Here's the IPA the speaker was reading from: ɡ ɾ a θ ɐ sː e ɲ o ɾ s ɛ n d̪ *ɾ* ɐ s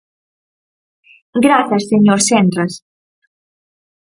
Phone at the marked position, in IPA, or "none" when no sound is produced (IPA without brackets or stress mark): ɾ